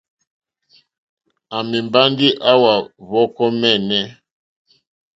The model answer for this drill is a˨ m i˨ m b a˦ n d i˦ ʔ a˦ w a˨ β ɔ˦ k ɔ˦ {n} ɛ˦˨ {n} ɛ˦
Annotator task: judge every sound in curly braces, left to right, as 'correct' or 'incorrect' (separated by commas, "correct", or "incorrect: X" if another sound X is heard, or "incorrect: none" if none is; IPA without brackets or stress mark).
incorrect: m, correct